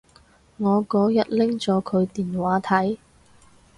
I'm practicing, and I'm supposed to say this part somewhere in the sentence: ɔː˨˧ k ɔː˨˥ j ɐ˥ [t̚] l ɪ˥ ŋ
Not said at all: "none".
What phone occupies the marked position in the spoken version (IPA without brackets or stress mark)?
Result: t̚